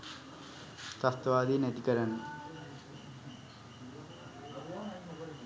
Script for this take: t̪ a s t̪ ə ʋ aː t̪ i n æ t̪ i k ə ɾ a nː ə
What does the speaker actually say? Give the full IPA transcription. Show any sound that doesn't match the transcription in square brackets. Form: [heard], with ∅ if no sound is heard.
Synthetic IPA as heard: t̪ a s t̪ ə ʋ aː [d̪] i n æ t̪ i k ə ɾ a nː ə

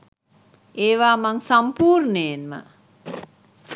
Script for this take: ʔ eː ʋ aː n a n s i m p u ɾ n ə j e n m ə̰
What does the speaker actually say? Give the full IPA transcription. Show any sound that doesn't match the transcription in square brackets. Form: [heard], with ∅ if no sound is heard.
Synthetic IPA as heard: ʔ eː ʋ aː [m] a [ŋ] s [a] m p [uː] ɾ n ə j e n m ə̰

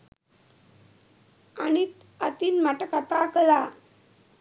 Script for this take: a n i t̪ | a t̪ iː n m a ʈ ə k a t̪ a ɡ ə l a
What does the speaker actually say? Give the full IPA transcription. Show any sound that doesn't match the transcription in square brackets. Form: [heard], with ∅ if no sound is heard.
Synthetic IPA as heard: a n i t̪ | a t̪ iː n m a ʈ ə k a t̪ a [k] ə l a

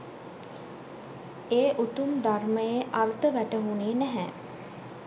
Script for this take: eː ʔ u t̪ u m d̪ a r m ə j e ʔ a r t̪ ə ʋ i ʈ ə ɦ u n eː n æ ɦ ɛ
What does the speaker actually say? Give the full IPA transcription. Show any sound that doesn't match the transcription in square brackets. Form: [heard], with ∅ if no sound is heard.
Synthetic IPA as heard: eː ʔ u t̪ u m d̪ a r m ə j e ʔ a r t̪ ə ʋ [æ] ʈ ə ɦ u n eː n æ ɦ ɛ

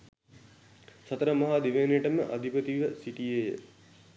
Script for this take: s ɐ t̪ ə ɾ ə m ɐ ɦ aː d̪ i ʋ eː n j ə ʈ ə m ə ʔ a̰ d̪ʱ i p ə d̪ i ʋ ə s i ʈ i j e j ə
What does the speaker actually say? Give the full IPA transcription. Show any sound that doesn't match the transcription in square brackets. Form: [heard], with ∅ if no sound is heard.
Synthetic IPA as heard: s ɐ t̪ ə ɾ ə m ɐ ɦ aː d̪ i ʋ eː n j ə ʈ ə m ə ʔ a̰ d̪ʱ i p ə [t̪] i ʋ ə s i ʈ i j e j ə

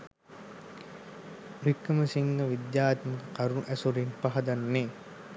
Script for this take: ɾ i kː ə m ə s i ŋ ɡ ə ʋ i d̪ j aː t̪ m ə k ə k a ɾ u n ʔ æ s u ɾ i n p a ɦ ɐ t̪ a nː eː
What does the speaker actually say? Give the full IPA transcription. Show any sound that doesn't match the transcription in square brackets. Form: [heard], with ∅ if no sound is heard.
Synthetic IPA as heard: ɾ i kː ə m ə s i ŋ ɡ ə ʋ i d̪ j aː t̪ m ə k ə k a ɾ u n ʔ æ s u ɾ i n p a ɦ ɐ [d̪] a nː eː

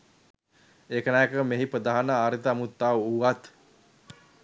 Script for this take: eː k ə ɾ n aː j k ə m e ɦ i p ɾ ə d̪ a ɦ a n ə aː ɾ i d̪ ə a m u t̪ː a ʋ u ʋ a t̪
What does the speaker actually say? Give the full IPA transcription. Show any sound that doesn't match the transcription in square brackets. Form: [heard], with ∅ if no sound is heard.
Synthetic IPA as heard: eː k ə [∅] n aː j k ə m e ɦ i p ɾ ə d̪ a ɦ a n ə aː ɾ i [t̪] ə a m u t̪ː a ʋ u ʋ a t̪

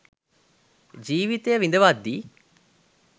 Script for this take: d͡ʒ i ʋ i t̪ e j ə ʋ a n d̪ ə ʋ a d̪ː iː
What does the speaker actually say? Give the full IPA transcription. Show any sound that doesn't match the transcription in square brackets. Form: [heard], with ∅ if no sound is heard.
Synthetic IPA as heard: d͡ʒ [iː] ʋ i t̪ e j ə ʋ [i] n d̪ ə ʋ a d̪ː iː

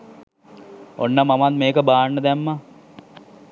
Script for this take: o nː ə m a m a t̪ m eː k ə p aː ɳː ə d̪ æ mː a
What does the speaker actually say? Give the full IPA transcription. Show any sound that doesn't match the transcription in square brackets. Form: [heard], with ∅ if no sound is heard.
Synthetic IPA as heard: o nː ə m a m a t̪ m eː k ə [b] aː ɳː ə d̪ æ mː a

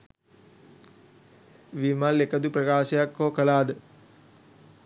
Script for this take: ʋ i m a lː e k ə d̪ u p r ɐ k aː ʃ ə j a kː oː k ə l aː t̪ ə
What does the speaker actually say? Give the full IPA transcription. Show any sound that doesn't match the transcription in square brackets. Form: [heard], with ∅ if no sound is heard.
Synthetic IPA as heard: ʋ i m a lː e k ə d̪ u p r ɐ k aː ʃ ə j a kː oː k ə l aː [d̪] ə

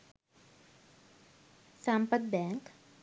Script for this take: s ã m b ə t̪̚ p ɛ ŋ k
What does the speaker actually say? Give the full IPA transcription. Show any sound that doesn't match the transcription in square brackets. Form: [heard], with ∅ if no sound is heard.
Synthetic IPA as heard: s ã m [p] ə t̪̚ [b] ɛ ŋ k

